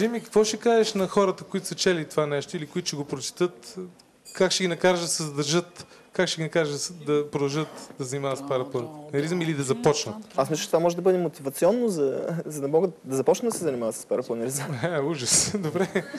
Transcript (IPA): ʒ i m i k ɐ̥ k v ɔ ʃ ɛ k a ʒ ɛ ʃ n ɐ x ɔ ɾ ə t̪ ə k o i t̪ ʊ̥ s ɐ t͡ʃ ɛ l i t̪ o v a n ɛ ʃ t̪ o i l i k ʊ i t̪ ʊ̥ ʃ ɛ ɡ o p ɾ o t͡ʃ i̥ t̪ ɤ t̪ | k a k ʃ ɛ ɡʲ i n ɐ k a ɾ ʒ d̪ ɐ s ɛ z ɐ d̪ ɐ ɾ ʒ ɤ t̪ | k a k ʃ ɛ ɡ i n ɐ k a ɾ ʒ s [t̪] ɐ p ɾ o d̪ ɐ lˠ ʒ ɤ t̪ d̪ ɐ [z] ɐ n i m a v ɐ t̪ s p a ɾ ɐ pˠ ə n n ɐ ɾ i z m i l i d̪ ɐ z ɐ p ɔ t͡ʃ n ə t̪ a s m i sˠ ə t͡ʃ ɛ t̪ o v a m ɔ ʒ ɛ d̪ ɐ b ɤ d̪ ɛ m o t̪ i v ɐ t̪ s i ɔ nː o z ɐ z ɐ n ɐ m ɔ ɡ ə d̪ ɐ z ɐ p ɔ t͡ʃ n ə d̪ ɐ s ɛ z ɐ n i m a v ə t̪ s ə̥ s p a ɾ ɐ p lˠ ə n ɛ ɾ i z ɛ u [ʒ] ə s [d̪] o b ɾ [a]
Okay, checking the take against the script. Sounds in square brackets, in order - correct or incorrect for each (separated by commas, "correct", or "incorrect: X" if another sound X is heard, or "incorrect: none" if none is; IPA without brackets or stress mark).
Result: incorrect: d̪, correct, correct, correct, incorrect: ɛ